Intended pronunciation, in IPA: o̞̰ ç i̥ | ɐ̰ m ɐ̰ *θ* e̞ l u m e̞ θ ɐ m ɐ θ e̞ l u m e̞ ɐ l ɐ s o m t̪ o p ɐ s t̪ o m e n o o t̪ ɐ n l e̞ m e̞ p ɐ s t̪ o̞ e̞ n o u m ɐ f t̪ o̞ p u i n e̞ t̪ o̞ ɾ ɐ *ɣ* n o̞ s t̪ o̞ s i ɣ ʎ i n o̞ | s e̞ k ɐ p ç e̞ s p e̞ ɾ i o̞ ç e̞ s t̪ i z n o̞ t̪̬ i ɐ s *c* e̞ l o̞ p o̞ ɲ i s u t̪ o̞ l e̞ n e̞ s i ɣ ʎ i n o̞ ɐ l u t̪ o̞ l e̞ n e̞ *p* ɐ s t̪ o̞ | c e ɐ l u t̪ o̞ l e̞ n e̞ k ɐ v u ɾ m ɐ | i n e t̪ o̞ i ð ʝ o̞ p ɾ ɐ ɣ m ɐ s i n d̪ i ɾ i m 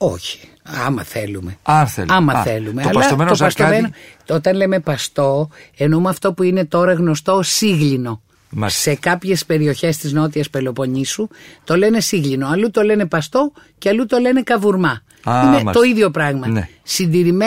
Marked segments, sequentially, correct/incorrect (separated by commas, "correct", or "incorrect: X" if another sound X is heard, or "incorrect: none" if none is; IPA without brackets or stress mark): correct, correct, incorrect: p, correct